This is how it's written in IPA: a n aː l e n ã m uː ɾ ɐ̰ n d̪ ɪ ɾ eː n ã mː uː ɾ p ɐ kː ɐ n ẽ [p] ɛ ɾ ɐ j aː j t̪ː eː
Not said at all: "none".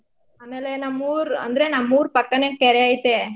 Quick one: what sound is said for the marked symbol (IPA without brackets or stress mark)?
k